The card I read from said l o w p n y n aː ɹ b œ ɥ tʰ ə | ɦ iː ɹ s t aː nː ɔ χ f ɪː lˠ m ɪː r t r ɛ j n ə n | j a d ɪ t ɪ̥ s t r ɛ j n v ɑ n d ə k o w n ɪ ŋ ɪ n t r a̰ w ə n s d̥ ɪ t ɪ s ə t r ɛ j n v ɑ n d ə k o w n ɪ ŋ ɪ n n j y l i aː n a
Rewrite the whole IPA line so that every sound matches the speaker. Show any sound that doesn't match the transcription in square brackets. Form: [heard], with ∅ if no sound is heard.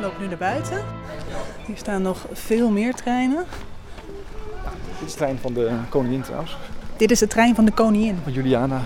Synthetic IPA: l o w p n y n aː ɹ b œ ɥ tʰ ə | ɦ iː ɹ s t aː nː ɔ χ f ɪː lˠ m ɪː [ɹ] t r ɛ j n ə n | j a d ɪ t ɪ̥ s t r ɛ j n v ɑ n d ə k o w n ɪ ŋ ɪ n t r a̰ w ə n s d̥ ɪ t ɪ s ə t r ɛ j n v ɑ n d ə k o w n ɪ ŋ ɪ n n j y l i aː n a